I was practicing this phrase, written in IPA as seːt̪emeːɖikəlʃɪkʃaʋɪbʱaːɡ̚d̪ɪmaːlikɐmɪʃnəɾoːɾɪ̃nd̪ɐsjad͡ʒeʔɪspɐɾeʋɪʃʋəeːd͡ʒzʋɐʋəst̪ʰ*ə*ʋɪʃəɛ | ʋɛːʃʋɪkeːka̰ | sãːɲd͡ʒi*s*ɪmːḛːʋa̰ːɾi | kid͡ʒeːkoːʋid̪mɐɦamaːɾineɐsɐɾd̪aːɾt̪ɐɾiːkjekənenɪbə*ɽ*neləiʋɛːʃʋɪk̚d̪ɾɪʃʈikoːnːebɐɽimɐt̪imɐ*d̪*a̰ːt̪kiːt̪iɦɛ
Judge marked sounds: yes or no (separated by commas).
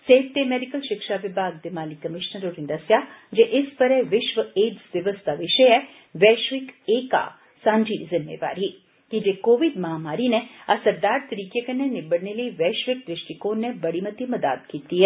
no, no, yes, yes